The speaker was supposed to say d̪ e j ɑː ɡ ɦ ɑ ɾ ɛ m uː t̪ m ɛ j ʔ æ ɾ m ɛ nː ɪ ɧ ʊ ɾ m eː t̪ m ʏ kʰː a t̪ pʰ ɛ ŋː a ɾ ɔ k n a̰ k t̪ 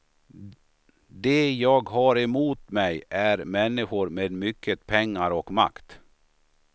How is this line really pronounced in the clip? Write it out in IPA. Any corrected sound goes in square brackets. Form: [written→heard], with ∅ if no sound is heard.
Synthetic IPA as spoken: d̪ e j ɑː ɡ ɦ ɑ ɾ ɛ m uː t̪ m ɛ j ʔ æ ɾ m ɛ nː ɪ ɧ ʊ ɾ m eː [t̪→d̪] m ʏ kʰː [a→ə] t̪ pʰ ɛ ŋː a ɾ ɔ k [n→m] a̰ k t̪